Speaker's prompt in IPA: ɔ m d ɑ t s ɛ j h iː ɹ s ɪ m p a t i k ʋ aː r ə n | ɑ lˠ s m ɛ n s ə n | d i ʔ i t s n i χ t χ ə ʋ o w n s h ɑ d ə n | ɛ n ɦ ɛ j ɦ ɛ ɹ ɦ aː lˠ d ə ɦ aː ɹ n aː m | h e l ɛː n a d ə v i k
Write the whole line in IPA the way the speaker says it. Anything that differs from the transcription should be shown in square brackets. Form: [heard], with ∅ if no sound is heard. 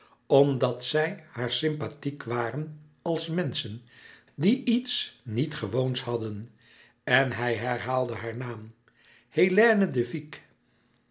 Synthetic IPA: ɔ m d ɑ t s ɛ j h [aː] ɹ s ɪ m p a t i k ʋ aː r ə n | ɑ lˠ s m ɛ n s ə n | d i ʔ i t s n i [∅] t χ ə ʋ o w n s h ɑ d ə n | ɛ n ɦ ɛ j ɦ ɛ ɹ ɦ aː lˠ d ə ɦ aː ɹ n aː m | h e l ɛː n [ə] d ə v i k